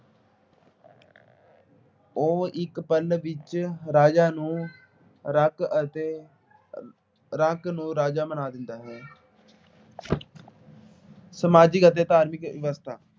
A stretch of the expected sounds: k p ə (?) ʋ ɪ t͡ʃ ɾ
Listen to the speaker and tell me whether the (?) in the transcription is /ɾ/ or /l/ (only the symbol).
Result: l